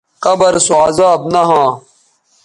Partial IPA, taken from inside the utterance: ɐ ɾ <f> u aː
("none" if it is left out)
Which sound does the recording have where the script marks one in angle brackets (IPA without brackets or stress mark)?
s